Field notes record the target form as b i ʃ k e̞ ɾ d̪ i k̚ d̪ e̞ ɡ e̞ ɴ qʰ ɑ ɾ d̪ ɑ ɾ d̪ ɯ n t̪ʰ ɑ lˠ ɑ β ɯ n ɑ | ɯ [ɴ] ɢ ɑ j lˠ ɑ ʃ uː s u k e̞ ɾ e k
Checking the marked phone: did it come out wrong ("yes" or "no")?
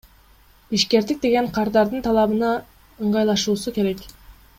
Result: no